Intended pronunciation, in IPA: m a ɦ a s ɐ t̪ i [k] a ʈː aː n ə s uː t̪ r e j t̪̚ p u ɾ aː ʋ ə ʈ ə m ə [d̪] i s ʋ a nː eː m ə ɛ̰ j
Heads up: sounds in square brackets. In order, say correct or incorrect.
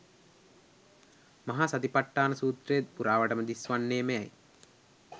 incorrect, correct

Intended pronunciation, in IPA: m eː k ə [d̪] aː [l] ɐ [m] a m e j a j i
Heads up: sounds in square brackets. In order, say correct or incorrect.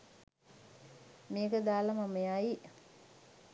correct, correct, correct

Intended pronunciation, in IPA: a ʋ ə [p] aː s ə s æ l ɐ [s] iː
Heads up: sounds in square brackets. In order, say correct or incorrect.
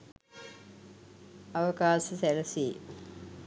incorrect, correct

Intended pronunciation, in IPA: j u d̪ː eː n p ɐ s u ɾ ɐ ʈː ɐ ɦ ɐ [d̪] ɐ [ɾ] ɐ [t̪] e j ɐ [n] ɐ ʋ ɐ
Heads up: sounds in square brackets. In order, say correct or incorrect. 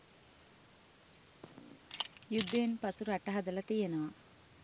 correct, incorrect, correct, correct

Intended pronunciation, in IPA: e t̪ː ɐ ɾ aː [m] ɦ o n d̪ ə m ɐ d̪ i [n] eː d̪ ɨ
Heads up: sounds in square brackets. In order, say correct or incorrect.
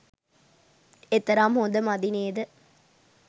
correct, correct

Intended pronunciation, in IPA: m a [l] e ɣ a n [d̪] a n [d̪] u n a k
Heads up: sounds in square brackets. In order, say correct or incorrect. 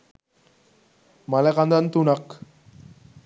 correct, correct, incorrect

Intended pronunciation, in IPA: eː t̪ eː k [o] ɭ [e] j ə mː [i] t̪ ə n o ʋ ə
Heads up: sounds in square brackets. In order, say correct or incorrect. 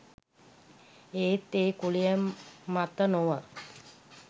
incorrect, incorrect, incorrect

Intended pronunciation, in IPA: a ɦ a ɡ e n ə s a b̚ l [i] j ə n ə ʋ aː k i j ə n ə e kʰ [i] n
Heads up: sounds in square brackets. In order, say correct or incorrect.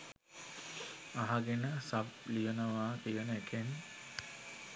correct, incorrect

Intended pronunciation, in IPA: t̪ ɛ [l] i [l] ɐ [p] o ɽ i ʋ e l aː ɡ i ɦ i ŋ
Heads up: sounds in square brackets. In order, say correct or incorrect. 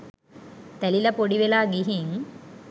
correct, correct, correct

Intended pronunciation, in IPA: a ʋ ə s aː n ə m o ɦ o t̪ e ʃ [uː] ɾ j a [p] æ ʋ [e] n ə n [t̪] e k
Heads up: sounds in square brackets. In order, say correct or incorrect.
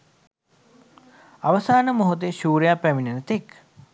correct, correct, incorrect, correct

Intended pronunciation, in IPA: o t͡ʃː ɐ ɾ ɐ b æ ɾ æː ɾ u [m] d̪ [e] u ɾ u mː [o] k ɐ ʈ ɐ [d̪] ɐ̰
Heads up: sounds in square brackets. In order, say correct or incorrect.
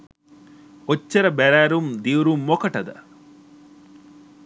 correct, incorrect, correct, correct

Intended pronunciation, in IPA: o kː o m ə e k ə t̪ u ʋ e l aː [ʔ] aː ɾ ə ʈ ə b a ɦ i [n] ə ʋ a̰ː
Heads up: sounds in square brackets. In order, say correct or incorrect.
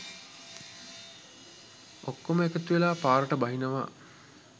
incorrect, correct

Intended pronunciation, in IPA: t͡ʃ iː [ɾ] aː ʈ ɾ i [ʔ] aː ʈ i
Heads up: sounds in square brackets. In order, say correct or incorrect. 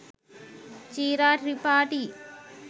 correct, incorrect

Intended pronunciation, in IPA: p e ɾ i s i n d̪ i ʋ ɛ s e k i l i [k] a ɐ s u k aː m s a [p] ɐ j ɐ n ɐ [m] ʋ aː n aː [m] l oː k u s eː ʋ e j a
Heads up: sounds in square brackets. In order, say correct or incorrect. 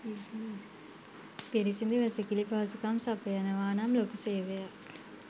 incorrect, correct, incorrect, correct

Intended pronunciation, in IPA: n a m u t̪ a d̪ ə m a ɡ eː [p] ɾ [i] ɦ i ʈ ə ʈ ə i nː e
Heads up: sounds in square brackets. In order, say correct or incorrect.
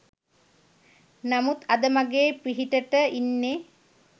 correct, correct

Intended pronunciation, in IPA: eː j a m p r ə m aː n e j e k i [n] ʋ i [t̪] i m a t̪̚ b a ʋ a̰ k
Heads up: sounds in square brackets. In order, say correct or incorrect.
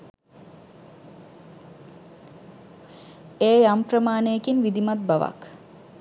correct, incorrect

